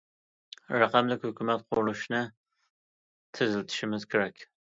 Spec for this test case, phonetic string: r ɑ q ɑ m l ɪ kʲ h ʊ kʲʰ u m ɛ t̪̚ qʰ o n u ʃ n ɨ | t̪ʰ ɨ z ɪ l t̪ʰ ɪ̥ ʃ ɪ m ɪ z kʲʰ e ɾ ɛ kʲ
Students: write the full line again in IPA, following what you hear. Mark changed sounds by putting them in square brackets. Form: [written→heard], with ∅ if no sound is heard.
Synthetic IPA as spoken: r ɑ q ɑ m l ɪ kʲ h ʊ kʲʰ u m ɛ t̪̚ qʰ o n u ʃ n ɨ | t̪ʰ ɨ z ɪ l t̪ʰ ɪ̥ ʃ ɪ m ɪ z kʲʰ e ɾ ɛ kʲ